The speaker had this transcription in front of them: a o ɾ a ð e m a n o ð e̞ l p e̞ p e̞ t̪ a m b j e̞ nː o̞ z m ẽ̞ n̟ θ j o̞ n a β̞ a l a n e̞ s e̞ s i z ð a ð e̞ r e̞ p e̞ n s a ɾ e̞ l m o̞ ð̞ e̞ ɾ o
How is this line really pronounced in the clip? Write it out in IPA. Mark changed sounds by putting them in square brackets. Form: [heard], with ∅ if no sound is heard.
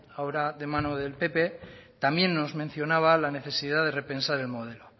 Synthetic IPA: a o ɾ a ð e m a n o ð e̞ l p e̞ p e̞ t̪ a m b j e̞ nː o̞ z m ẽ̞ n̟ θ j o̞ n a β̞ a l a n e̞ [θ] e̞ s i [∅] ð a ð e̞ r e̞ p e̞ n s a ɾ e̞ l m o̞ ð̞ e̞ [l] o